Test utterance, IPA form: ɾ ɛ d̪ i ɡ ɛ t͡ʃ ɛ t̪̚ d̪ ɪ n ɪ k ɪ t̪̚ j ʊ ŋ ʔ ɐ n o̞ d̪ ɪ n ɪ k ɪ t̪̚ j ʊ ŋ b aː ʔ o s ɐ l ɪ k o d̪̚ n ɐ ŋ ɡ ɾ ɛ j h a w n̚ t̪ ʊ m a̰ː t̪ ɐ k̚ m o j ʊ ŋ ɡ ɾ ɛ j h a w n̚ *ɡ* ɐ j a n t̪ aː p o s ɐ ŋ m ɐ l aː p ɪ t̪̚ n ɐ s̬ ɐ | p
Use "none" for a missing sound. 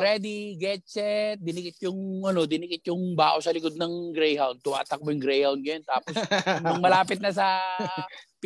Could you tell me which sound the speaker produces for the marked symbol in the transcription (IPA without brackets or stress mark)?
ɡ